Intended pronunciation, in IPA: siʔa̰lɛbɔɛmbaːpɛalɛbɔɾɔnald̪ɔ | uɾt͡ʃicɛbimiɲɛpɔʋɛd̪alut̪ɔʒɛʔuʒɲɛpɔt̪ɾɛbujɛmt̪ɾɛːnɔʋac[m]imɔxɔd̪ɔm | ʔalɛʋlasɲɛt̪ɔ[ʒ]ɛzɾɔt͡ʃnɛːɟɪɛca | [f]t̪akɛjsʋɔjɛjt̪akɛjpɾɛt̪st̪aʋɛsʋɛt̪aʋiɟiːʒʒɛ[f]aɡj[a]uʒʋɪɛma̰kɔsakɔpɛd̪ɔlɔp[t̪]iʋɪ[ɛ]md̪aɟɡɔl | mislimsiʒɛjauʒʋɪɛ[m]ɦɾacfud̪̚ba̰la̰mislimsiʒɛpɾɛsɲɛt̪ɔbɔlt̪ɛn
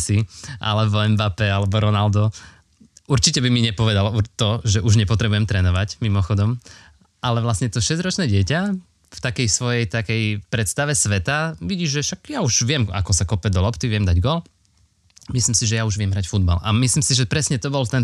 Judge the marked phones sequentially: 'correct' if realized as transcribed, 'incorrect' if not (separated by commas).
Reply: correct, incorrect, correct, incorrect, correct, correct, correct, correct